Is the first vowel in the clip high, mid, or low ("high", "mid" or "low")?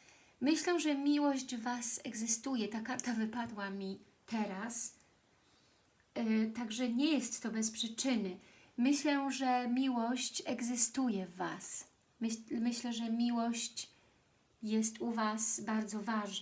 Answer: mid